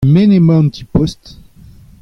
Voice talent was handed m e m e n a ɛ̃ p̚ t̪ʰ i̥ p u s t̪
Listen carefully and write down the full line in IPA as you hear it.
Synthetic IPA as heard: m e n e m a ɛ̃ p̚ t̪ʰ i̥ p ɔ s t̪